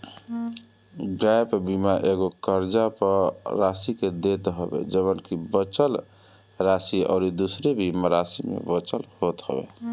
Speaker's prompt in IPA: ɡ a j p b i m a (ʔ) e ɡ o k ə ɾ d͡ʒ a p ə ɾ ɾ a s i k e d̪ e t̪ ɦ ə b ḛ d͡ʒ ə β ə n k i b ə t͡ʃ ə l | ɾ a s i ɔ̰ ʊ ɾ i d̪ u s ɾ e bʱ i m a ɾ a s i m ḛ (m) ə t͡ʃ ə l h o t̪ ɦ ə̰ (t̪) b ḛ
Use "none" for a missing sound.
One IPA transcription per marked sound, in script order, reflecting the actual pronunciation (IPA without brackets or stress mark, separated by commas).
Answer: ʔ, b, none